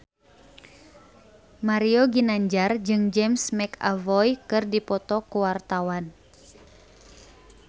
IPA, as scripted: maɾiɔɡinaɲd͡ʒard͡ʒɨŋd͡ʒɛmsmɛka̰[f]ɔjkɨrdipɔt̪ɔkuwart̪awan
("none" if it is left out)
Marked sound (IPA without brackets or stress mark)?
v